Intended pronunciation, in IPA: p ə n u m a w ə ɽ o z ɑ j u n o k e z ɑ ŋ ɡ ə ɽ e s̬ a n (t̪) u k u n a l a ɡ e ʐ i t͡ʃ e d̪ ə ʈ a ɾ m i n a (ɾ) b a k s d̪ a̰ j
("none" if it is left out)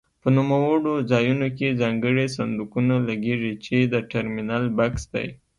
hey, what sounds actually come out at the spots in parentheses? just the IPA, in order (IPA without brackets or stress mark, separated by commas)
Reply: d̪, l